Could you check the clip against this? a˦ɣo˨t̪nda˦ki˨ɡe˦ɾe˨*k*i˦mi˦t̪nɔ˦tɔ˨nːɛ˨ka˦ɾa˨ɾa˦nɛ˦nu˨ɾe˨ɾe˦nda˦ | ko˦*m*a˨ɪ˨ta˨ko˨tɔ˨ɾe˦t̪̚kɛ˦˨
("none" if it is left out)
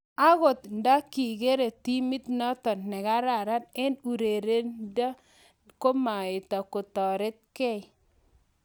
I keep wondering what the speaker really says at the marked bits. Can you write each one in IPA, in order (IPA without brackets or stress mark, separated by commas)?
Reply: t, m